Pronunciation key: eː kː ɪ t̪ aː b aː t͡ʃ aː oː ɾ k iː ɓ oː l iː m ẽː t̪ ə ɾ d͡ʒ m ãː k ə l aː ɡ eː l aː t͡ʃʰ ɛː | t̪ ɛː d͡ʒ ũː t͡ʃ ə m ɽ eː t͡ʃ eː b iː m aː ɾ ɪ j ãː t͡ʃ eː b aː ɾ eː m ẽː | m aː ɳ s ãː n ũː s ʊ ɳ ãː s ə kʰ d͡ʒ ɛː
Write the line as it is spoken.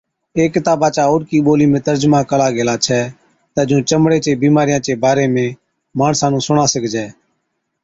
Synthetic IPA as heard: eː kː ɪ t̪ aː b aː t͡ʃ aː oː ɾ k iː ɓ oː l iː m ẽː t̪ ə ɾ d͡ʒ m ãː k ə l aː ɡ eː l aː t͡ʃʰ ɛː | t̪ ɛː d͡ʒ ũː t͡ʃ ə m ɽ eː t͡ʃ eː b iː m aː ɾ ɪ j ãː t͡ʃ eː b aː ɾ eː m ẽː | m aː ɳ s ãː n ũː s ʊ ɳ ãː s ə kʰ d͡ʒ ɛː